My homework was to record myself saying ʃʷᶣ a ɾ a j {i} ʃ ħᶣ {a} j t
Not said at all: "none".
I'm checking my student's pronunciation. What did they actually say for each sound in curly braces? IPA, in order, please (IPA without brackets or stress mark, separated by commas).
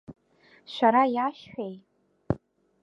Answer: a, e